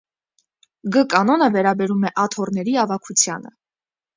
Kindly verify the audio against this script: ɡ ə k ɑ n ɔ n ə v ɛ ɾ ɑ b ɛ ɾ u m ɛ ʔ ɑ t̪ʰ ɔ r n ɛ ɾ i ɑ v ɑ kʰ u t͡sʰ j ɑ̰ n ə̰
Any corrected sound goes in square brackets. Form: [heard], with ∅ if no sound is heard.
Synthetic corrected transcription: ɡ ə k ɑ n ɔ n ə v ɛ ɾ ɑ b ɛ ɾ u m ɛ ʔ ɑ t̪ʰ ɔ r n ɛ ɾ i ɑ v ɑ kʰ u t͡sʰ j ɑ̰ n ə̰